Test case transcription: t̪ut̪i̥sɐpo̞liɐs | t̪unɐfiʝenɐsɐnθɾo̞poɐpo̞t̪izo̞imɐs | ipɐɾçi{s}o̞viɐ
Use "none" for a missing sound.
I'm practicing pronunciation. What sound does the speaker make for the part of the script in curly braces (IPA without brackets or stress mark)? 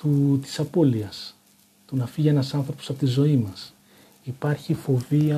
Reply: f